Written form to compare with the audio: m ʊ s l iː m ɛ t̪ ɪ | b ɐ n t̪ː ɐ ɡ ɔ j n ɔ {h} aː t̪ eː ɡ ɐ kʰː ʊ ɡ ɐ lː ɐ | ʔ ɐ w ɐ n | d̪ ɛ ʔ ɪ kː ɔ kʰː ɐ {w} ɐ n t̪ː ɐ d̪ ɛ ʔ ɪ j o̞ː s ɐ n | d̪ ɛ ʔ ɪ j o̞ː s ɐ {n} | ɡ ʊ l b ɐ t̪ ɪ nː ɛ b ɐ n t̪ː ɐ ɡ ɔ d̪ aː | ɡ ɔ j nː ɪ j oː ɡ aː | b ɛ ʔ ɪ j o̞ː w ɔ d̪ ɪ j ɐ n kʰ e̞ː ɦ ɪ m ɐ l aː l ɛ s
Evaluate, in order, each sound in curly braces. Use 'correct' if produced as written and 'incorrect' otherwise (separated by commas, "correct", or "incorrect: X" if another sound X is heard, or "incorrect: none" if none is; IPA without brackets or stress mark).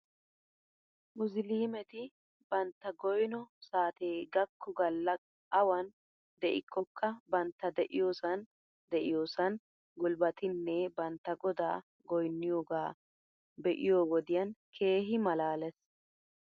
incorrect: s, incorrect: b, correct